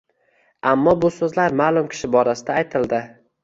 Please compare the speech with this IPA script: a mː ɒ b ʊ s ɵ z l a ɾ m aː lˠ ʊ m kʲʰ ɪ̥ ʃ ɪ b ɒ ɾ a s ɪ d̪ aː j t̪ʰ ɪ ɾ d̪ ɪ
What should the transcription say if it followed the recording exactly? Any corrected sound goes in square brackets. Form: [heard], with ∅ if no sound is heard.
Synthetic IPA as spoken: a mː ɒ b ʊ s ɵ z l a ɾ m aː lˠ ʊ m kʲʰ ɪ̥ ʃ ɪ b ɒ ɾ a s ɪ d̪ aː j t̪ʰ ɪ [l] d̪ ɪ